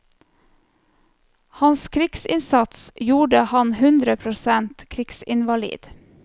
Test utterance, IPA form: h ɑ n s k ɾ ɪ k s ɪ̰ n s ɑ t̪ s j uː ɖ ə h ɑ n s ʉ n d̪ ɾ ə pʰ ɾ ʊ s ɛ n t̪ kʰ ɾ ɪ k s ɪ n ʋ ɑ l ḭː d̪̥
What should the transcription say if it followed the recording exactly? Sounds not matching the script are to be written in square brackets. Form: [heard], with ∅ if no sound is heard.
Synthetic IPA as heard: h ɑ n s [kʰ] ɾ ɪ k s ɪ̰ n s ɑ t̪ s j uː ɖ ə h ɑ n [h] ʉ n d̪ ɾ ə pʰ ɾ ʊ s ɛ n t̪ kʰ ɾ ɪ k s ɪ n ʋ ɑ l ḭː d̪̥